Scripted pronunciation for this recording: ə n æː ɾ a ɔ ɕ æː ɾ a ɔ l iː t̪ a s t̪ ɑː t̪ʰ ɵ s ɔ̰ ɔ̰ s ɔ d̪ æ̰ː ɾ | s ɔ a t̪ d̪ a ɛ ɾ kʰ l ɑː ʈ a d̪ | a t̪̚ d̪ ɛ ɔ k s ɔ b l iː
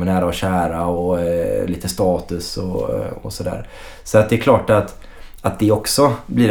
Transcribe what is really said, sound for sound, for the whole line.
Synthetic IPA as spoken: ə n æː ɾ a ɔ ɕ æː ɾ a ɔ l iː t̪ ə s t̪ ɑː t̪ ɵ s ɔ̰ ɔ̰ s ɔ d̪ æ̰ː ɾ | s ɔ a t̪ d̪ ɛ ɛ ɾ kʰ l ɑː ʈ a t̪ | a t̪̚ d̪ ɛ ɔ k s ɔ b l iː